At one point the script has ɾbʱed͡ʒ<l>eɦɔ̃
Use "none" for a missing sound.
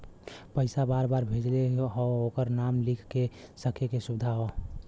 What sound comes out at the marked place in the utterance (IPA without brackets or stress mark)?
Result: l